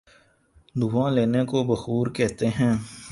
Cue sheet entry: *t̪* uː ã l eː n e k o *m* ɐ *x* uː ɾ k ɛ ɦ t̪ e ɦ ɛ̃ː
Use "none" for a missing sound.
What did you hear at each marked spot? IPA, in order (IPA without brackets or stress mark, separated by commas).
d̪, b, x